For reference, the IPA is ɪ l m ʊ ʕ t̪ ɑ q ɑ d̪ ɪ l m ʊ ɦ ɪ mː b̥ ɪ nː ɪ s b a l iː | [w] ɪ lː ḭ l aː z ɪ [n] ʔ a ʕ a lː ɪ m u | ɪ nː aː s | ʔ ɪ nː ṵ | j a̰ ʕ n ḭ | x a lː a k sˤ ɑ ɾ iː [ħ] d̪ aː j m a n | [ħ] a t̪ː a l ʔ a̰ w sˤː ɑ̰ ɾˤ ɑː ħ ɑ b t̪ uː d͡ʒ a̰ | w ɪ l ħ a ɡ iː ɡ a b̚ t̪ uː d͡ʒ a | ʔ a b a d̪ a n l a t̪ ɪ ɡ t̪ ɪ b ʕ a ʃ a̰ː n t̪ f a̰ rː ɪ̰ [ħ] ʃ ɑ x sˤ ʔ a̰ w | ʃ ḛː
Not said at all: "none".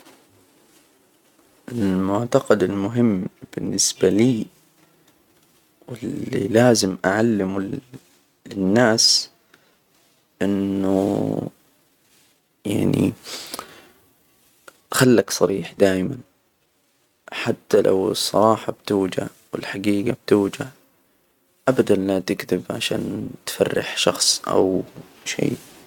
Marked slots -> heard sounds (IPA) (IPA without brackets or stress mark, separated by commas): w, m, ħ, ħ, ħ